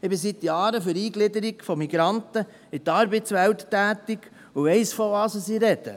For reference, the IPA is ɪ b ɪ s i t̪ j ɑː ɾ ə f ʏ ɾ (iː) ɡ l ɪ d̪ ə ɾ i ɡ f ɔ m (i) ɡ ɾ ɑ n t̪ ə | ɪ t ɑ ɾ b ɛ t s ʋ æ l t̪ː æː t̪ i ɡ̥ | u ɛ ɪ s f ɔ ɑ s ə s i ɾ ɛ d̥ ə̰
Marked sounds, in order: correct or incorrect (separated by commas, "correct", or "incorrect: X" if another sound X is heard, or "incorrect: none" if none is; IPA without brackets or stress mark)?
correct, correct